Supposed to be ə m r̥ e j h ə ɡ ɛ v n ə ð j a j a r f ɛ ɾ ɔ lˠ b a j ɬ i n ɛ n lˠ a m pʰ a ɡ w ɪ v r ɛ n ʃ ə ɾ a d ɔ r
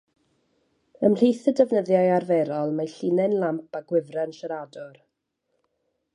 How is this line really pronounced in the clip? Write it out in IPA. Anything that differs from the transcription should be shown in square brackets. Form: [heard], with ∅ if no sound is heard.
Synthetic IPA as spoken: ə m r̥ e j [θ] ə [d] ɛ v n ə ð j a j a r [v] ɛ ɾ ɔ lˠ [m] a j ɬ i n ɛ n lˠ a m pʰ a ɡ w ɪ v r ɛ n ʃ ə ɾ a d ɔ r